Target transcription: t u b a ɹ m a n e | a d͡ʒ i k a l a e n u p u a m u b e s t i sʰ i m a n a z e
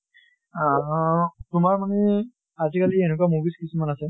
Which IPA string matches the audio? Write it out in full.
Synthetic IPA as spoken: t u m a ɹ m a n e | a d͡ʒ i k a l i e n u k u a m u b i s k i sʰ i m a n a s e